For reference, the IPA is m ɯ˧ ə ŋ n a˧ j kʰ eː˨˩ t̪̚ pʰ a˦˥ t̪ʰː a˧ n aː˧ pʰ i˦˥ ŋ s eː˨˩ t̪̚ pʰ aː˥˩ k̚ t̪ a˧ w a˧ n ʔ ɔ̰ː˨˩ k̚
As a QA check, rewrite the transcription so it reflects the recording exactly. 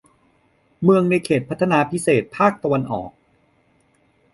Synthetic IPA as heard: m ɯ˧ ə ŋ n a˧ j kʰ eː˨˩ t̪̚ pʰ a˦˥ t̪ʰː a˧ n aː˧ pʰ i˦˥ s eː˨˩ t̪̚ pʰ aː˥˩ k̚ t̪ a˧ w a˧ n ʔ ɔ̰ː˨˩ k̚